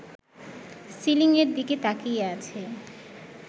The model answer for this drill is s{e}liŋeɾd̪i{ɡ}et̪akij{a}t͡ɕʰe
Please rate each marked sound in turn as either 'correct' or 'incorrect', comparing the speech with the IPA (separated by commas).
incorrect, incorrect, correct